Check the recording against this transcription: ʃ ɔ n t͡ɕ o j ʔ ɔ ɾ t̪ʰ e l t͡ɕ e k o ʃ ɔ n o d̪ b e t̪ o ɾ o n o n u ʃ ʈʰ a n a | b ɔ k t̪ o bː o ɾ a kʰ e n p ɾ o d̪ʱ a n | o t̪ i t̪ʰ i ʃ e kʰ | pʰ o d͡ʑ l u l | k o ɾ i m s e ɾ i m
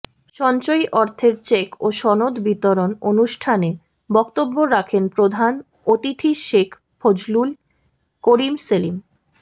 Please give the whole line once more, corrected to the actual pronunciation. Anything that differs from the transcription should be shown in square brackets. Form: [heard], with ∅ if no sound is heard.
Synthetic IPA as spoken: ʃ ɔ n t͡ɕ o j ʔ ɔ ɾ t̪ʰ e [ɾ] t͡ɕ e k o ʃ ɔ n o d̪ b [i] t̪ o ɾ o n o n u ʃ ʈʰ a n [e] | b ɔ k t̪ o bː o ɾ a kʰ e n p ɾ o d̪ʱ a n | o t̪ i t̪ʰ i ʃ e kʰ | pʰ o d͡ʑ l u l | k o ɾ i m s e [l] i m

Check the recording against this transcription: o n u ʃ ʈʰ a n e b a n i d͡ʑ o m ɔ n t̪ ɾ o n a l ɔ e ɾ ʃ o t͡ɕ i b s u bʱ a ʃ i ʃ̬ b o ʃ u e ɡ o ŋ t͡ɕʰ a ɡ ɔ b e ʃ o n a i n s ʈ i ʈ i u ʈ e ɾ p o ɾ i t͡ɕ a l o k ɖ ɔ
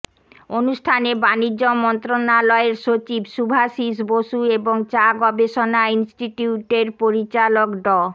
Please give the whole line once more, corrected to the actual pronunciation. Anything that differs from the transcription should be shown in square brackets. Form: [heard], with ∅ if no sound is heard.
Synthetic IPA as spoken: o n u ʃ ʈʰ a n e b a n i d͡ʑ o m ɔ n t̪ ɾ o n a l ɔ e ɾ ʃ o t͡ɕ i b [ʃ] u bʱ a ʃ i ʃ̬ b o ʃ u e [b] o ŋ [t͡ɕ] a ɡ ɔ b e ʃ o n a i n s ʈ i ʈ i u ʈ e ɾ p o ɾ i t͡ɕ a l o k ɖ ɔ

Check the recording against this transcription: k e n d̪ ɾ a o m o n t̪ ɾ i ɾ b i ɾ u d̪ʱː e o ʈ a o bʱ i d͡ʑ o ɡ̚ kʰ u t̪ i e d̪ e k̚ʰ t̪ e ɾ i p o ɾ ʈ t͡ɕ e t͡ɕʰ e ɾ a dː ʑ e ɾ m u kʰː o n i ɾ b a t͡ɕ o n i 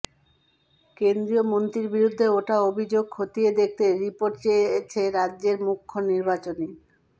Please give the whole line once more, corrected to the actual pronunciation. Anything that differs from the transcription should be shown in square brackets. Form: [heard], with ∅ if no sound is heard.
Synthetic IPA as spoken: k e n d̪ ɾ [i] o m o n t̪ ɾ i ɾ b i ɾ u d̪ʱː e o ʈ a o bʱ i d͡ʑ o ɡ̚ kʰ [o] t̪ i e d̪ e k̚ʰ t̪ e ɾ i p o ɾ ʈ t͡ɕ e t͡ɕʰ e ɾ a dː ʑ e ɾ m u kʰː o n i ɾ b a t͡ɕ o n i

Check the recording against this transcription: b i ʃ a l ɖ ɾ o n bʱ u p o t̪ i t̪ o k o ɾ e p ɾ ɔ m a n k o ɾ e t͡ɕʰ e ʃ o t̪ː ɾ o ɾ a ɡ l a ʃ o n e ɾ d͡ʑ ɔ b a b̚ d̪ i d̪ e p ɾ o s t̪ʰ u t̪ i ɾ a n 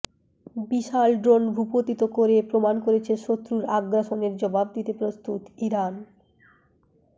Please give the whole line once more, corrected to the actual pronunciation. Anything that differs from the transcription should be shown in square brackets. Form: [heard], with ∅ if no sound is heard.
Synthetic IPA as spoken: b i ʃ a l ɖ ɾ o n bʱ u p o t̪ i t̪ o k o ɾ e p ɾ [o] m a n k o ɾ e t͡ɕʰ e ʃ o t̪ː ɾ [u] ɾ a ɡ [ɾ] a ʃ o n e ɾ d͡ʑ ɔ b a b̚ d̪ i [t̪] e p ɾ o s [t̪] u t̪ i ɾ a n

